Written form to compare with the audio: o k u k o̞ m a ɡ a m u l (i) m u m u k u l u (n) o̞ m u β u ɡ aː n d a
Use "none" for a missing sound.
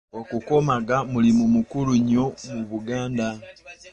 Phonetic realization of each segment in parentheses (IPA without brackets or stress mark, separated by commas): i, ɲ